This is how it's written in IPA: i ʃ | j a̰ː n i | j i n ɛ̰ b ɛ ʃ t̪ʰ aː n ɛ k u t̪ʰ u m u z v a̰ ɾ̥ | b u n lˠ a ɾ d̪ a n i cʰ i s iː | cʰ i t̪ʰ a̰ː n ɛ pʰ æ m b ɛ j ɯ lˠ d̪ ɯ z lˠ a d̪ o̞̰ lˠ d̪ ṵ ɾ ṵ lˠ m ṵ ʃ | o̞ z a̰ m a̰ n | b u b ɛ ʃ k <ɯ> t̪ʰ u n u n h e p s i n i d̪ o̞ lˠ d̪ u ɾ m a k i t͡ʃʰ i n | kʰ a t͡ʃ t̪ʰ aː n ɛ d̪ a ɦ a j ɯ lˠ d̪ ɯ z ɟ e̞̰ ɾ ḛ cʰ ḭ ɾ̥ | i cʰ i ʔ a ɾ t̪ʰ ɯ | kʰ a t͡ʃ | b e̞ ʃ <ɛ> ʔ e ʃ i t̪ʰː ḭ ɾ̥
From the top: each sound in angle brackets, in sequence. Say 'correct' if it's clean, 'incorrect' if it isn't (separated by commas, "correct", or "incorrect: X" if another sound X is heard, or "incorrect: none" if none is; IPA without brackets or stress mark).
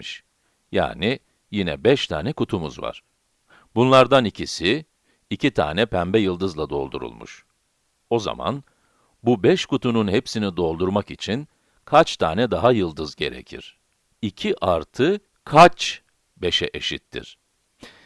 incorrect: u, correct